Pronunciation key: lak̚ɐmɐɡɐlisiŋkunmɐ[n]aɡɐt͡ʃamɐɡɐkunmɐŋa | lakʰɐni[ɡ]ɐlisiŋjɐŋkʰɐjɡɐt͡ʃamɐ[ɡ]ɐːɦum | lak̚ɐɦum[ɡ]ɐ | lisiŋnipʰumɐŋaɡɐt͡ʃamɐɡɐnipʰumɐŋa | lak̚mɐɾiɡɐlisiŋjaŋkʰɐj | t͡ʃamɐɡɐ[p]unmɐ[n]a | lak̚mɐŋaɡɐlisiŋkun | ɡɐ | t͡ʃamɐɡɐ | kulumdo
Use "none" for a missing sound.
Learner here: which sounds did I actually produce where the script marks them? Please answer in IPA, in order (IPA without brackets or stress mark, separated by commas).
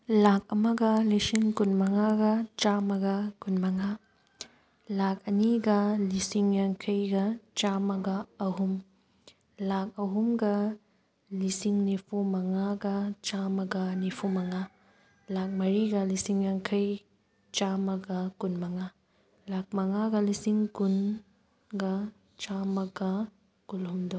ŋ, ɡ, ɡ, ɡ, k, ŋ